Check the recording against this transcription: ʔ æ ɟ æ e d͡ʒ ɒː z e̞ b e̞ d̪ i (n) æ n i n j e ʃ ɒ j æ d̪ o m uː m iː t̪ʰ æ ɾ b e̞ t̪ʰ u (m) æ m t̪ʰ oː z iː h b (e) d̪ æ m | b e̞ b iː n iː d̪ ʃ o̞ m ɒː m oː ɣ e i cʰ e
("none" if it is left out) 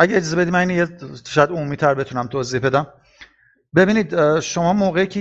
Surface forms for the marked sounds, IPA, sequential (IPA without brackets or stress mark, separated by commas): m, n, e